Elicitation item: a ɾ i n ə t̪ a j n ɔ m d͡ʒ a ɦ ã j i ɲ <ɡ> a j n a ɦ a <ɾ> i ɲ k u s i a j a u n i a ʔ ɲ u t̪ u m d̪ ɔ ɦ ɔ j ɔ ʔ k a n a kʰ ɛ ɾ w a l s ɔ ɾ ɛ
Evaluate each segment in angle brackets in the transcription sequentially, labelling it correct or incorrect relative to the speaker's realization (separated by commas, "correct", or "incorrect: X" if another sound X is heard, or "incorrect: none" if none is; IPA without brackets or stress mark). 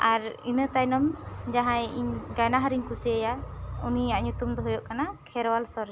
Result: correct, correct